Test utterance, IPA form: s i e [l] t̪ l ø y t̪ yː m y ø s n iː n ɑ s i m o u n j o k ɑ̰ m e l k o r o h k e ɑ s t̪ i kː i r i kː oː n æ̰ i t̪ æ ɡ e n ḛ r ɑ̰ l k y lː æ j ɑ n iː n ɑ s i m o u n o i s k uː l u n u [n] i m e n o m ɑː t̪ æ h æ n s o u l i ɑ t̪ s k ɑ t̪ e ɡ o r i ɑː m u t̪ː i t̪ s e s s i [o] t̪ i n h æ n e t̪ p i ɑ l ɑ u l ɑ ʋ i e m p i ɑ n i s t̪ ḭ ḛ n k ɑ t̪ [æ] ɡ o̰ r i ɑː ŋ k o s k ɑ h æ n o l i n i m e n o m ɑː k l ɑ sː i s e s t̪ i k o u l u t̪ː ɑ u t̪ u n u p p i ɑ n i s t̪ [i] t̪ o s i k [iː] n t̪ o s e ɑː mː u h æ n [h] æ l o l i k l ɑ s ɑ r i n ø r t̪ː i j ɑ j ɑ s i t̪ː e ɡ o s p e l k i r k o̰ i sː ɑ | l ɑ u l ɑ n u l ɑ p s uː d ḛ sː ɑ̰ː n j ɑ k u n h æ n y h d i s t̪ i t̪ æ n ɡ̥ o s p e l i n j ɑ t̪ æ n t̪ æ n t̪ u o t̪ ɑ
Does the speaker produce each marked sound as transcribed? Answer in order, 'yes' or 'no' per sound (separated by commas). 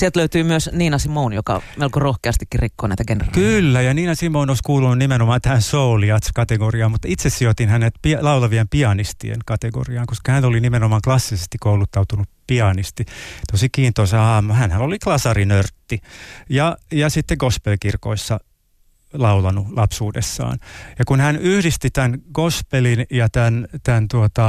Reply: yes, yes, yes, no, yes, yes, yes